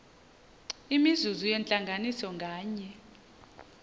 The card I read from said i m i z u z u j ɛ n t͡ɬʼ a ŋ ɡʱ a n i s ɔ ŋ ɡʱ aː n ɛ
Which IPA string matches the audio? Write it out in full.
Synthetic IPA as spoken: i m i z u z u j ɛ n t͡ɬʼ a ŋ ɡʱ a n i s ɔ ŋ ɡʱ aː ɲ ɛ